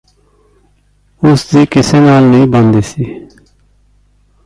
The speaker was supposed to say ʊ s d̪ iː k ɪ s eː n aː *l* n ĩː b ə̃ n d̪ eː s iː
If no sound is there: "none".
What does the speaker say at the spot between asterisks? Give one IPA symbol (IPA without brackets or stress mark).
l